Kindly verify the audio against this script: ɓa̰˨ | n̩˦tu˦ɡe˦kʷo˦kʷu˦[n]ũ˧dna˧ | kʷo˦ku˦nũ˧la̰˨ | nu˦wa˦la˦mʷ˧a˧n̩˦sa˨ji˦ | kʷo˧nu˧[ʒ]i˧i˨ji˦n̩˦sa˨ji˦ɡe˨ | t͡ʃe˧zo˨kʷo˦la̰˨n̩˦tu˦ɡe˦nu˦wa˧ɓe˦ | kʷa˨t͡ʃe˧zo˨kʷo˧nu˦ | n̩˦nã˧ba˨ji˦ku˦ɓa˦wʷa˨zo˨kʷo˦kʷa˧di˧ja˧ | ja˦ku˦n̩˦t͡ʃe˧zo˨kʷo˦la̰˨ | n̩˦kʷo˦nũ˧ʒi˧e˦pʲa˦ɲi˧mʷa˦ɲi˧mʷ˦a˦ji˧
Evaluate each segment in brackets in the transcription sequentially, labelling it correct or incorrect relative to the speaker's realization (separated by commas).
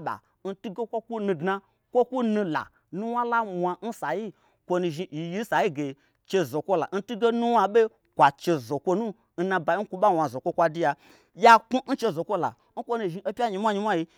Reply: correct, correct